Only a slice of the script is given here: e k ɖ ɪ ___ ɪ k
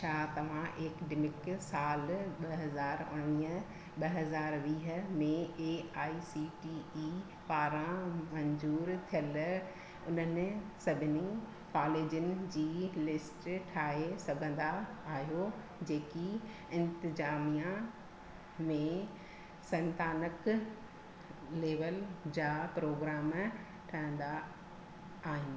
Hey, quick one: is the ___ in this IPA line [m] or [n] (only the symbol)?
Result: m